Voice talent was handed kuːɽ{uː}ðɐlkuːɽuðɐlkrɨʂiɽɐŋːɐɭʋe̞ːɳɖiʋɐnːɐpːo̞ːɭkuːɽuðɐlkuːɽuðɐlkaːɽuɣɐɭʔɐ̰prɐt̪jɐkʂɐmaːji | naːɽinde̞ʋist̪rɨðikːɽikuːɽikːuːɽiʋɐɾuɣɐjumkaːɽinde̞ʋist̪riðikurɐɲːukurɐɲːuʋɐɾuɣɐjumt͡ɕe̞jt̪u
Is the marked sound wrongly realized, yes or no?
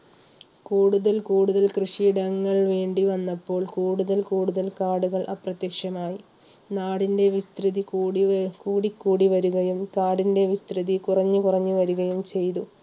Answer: yes